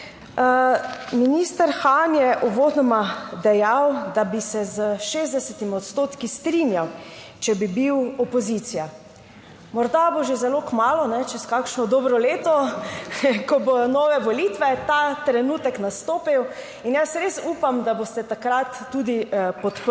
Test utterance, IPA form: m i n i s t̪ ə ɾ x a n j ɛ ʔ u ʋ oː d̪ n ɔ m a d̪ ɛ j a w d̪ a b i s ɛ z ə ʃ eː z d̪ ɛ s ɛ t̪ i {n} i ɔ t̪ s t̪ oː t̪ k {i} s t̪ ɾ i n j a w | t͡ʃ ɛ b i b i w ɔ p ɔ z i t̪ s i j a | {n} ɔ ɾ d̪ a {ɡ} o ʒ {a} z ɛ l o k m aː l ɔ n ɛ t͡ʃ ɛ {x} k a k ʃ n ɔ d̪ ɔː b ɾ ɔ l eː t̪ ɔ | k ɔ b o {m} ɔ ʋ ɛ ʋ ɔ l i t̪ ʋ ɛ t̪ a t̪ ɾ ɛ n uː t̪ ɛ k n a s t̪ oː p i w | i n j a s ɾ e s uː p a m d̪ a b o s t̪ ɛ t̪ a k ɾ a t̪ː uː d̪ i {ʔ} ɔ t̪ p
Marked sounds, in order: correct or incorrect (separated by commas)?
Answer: incorrect, correct, incorrect, incorrect, incorrect, incorrect, incorrect, incorrect